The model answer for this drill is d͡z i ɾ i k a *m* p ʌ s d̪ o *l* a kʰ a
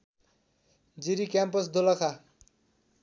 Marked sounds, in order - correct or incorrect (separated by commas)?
correct, correct